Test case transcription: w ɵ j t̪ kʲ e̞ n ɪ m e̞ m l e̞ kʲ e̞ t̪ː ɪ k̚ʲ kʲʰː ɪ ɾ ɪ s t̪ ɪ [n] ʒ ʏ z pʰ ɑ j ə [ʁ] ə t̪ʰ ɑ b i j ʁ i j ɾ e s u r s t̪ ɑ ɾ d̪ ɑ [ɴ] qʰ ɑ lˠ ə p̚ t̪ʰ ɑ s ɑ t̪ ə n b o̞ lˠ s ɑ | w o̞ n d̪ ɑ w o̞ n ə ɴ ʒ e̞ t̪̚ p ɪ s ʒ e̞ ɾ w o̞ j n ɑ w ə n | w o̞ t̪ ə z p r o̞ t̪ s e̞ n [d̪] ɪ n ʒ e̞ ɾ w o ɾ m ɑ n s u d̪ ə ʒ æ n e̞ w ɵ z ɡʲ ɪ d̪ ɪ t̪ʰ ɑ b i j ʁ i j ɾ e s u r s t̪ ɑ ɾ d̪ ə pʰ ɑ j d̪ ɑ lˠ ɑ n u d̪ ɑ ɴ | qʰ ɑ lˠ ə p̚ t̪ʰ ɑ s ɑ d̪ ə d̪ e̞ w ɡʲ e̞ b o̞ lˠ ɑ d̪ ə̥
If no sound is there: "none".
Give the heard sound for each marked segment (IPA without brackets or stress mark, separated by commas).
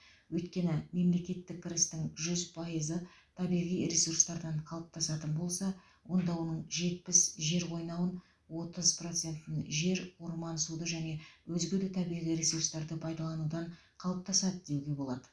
ŋ, z, ɴ, t̪